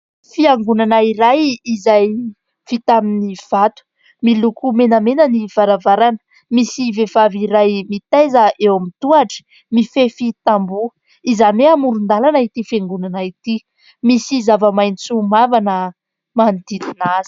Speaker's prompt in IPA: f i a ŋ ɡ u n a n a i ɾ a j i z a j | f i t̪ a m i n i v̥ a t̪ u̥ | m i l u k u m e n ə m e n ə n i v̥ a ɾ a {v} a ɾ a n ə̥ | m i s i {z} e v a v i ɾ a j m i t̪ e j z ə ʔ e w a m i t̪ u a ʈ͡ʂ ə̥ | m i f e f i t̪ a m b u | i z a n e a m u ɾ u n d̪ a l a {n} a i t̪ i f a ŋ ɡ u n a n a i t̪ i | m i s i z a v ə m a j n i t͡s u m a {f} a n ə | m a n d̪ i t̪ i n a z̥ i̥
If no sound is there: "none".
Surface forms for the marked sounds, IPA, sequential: v, v, n, v

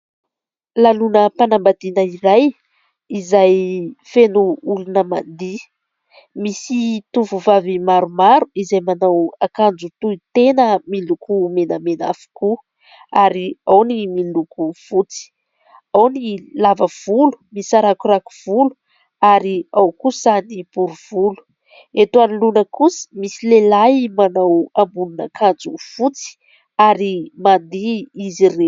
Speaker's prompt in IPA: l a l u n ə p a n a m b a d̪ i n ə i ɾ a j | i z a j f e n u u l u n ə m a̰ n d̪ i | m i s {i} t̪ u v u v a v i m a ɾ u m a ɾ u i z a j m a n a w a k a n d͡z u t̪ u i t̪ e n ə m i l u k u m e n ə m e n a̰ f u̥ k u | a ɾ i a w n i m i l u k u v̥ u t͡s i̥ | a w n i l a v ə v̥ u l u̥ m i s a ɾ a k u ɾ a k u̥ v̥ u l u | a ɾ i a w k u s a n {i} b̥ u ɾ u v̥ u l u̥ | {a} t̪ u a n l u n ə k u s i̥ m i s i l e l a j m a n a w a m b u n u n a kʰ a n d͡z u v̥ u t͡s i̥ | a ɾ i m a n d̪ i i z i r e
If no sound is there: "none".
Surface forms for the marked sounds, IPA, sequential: i, i, e

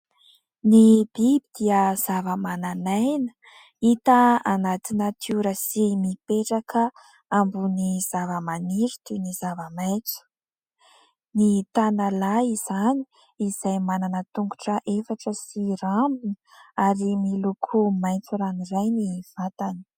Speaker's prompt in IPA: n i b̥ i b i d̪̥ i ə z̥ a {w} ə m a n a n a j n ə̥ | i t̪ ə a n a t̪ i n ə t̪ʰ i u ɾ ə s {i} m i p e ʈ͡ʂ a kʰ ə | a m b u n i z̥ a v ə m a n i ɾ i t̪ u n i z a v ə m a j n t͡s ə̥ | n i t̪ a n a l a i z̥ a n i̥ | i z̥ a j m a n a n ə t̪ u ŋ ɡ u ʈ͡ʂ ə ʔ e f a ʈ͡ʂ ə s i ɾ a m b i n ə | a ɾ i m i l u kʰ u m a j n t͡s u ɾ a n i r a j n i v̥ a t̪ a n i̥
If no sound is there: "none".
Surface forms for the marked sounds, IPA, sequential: v, i

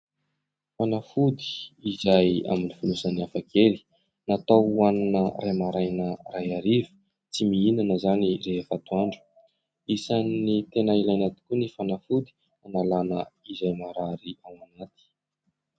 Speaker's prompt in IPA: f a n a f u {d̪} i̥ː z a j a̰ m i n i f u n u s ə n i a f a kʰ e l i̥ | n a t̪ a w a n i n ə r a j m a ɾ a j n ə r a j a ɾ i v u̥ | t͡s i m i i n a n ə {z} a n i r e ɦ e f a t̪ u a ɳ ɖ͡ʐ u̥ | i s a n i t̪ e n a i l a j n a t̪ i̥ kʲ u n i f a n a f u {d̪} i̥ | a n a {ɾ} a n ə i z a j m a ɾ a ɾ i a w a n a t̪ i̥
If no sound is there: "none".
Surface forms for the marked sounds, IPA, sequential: d̪, z, d̪, l

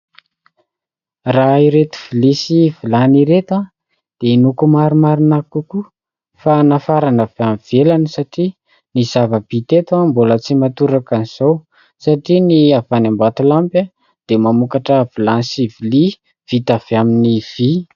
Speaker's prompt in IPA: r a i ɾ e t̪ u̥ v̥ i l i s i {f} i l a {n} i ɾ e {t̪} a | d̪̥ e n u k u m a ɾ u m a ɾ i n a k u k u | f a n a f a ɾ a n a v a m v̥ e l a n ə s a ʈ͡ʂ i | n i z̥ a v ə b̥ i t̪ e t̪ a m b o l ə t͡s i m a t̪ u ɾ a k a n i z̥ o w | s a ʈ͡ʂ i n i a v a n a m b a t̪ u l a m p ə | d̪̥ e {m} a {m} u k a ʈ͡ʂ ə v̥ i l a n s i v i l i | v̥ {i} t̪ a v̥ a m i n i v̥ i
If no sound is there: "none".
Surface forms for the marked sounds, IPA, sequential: v, n, t̪, m, m, i

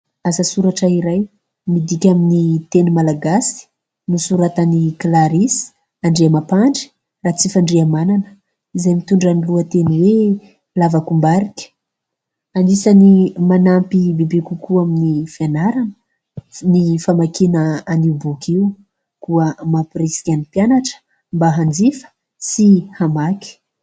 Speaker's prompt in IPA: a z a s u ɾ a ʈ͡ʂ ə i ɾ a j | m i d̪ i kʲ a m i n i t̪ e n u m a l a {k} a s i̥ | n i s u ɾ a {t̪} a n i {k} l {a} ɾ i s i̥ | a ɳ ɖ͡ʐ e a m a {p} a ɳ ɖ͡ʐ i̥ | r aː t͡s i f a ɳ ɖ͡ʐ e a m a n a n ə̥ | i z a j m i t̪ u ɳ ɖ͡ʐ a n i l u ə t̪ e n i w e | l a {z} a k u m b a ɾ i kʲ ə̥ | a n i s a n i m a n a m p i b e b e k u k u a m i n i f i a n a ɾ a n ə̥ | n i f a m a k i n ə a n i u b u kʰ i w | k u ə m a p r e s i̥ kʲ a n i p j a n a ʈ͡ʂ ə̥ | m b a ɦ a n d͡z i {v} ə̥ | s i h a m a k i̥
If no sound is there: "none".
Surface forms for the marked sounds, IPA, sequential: ɡ, t̪, k, a, p, v, f

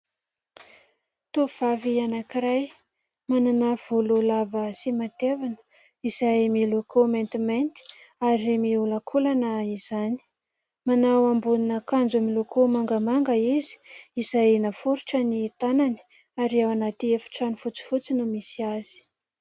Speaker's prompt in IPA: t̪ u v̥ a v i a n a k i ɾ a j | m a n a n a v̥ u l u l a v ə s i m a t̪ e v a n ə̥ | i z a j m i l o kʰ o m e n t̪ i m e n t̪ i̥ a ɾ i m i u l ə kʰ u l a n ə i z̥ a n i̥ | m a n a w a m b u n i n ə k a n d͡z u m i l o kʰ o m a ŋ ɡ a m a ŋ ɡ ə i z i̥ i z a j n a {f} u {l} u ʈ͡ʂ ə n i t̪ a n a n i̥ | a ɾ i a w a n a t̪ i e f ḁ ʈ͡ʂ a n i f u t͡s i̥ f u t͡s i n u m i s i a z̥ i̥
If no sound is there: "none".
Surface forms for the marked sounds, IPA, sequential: f, ɾ

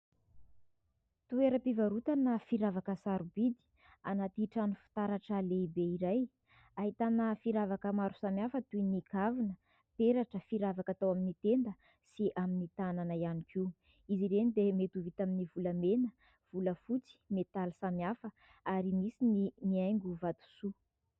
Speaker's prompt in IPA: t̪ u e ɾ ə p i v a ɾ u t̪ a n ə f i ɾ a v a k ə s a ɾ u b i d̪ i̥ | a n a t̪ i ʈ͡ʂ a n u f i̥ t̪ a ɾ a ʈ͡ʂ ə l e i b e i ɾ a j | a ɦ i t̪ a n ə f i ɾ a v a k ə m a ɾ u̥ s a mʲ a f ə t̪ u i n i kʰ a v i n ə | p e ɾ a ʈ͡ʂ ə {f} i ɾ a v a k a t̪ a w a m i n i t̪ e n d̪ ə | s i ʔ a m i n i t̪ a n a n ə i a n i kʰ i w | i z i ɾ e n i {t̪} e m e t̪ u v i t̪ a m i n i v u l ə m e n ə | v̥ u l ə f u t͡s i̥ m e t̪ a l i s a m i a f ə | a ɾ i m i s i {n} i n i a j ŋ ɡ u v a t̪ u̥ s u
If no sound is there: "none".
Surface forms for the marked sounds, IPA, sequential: f, d̪, n

